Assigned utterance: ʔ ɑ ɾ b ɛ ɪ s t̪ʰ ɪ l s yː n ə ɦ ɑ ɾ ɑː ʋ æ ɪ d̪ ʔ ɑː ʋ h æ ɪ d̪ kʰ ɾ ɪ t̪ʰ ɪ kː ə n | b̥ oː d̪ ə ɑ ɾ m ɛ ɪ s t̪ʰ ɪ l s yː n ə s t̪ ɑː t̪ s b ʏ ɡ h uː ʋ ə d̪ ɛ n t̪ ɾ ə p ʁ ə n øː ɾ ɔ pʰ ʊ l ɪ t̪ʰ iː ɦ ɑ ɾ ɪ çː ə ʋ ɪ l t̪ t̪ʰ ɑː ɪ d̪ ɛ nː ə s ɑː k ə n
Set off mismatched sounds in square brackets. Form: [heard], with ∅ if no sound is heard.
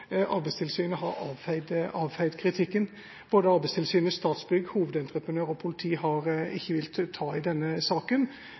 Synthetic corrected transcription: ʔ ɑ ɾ b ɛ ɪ s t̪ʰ ɪ l s yː n ə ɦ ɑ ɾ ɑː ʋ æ ɪ d̪ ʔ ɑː ʋ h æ ɪ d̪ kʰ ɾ ɪ t̪ʰ ɪ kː ə n | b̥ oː d̪ ə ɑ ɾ [b] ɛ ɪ s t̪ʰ ɪ l s yː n ə s t̪ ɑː t̪ s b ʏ ɡ h uː ʋ ə d̪ ɛ n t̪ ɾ ə p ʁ ə n øː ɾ ɔ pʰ ʊ l ɪ t̪ʰ iː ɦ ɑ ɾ ɪ çː ə ʋ ɪ l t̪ t̪ʰ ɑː ɪ d̪ ɛ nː ə s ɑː k ə n